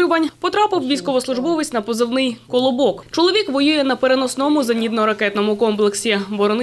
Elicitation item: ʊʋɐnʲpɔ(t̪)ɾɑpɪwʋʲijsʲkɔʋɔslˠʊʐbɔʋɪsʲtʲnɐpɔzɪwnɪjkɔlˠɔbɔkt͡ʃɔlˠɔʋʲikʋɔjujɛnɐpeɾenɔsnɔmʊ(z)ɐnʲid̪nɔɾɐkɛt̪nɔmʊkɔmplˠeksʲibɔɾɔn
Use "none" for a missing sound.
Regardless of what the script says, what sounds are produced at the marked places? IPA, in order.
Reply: t̪, z

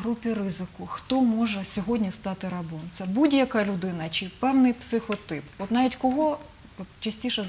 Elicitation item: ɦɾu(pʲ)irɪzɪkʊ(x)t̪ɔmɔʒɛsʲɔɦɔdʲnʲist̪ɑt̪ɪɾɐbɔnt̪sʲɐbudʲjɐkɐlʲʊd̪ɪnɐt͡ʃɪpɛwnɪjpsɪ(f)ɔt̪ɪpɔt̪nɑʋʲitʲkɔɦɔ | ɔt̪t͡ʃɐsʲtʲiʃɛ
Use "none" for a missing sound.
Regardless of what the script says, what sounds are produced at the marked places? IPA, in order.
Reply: pʲ, x, x

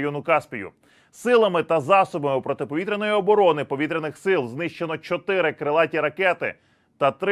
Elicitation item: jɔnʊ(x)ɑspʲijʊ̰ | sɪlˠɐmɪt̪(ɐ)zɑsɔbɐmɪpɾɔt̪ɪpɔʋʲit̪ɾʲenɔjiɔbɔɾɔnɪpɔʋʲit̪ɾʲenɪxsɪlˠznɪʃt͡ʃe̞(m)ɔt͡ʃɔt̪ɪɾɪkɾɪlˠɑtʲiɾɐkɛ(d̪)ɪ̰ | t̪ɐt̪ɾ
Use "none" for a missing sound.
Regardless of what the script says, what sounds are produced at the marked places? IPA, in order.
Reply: k, ɐ, n, t̪

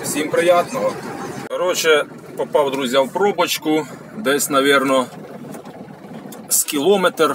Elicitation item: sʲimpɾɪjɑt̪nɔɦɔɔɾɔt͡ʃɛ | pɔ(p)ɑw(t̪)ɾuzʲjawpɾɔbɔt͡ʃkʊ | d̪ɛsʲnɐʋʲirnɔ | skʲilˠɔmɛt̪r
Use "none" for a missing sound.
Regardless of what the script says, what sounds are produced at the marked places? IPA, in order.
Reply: p, d̪

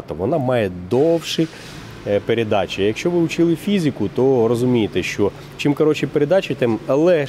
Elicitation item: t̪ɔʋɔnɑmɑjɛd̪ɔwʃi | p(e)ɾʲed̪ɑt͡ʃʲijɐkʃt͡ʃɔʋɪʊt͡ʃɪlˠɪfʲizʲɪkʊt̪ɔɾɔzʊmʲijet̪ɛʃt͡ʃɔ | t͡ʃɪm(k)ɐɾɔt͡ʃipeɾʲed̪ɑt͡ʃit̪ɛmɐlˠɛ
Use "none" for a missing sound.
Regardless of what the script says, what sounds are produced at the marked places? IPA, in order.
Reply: e, k

